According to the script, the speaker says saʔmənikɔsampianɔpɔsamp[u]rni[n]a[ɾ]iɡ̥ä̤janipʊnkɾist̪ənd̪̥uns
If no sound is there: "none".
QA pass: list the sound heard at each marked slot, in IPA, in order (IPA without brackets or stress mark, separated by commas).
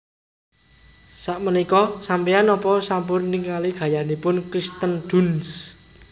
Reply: ʊ, ŋ, l